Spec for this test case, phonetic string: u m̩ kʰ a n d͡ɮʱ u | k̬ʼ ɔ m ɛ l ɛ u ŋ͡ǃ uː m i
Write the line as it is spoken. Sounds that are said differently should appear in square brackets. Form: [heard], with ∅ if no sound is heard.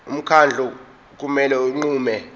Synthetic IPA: u m̩ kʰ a n d͡ɮʱ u | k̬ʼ [u] m ɛ l ɛ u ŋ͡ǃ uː m [ɛ]